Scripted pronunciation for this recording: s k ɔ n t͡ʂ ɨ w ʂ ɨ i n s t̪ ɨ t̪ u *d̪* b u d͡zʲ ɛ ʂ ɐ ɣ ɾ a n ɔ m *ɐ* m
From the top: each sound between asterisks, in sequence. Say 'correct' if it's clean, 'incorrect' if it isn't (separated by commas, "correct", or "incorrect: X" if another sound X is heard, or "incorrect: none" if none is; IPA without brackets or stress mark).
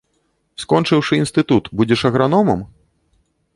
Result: incorrect: t̪, correct